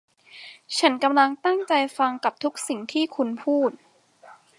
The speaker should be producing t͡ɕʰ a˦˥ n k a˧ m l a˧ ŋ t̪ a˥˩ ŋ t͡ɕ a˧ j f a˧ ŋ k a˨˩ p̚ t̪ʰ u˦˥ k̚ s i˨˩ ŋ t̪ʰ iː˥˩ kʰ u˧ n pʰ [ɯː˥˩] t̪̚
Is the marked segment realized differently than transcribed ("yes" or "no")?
yes